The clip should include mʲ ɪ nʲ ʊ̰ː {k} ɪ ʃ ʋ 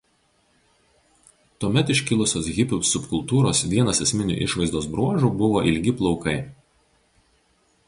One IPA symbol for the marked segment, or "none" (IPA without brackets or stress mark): ʔ